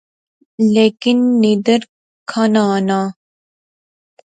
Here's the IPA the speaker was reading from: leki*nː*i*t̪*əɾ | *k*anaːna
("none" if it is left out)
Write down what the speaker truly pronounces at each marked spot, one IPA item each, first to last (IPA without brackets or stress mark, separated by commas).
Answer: nː, d̪, kʰ